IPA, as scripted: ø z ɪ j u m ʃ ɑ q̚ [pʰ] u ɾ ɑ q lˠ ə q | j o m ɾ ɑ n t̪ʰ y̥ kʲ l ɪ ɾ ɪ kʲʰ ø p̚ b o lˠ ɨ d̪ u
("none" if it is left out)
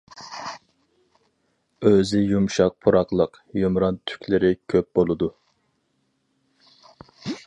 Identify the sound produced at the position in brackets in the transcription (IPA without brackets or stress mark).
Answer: pʰ